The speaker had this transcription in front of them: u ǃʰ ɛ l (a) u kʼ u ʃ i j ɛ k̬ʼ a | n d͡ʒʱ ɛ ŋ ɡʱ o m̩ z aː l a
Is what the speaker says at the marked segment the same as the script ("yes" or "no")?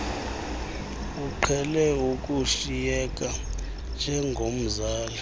no